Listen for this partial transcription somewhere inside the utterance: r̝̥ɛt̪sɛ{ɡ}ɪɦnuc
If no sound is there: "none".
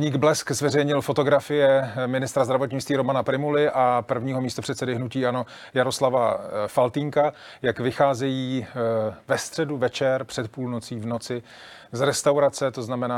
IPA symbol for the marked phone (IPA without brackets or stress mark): d